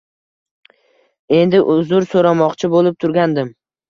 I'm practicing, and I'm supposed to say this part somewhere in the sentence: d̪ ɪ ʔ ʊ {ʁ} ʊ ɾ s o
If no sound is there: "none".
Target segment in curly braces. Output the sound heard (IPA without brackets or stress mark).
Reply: z